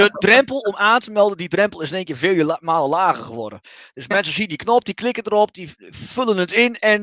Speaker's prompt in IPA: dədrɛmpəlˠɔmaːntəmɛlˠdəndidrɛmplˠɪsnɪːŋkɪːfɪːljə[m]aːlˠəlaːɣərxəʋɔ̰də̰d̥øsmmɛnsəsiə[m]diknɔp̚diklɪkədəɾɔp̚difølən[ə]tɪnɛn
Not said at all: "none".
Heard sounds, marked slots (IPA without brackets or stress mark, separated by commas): m, n, ə